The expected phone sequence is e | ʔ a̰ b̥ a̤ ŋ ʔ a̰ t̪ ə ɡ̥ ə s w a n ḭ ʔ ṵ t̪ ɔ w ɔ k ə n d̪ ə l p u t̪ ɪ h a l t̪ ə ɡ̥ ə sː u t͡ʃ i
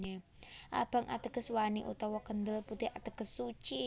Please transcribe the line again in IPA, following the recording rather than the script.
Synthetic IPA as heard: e | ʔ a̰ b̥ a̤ ŋ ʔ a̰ t̪ ə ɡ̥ ə s w a n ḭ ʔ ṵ t̪ ɔ w ɔ k ə n d̪ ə l p u t̪ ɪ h a t̪ ə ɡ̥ ə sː u t͡ʃ i